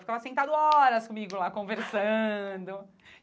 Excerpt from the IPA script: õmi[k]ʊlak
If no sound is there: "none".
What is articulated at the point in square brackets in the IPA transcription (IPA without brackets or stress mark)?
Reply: ɡ